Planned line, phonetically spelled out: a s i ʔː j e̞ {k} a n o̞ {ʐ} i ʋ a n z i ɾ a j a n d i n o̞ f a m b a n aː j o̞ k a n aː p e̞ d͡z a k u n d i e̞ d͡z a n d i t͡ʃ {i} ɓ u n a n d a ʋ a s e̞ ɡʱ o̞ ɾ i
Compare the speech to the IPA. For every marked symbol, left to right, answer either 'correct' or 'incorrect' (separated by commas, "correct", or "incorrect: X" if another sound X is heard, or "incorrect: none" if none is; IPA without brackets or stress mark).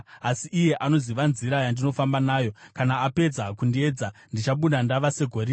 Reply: incorrect: ʔ, incorrect: z, incorrect: a